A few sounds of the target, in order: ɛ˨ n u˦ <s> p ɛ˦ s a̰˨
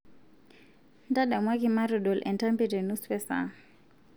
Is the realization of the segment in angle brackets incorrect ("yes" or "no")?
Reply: no